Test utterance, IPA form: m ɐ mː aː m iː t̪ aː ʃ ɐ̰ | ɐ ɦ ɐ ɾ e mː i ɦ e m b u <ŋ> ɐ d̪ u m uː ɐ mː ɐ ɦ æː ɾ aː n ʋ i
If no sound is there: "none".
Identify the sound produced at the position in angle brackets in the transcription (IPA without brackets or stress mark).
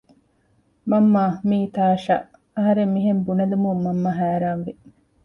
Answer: n